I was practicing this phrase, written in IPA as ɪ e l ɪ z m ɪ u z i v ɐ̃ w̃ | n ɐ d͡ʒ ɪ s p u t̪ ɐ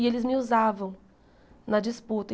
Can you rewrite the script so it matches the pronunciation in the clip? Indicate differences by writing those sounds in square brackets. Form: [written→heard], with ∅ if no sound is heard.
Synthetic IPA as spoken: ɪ e l ɪ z m ɪ u z [i→a] v ɐ̃ w̃ | n ɐ d͡ʒ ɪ s p u t̪ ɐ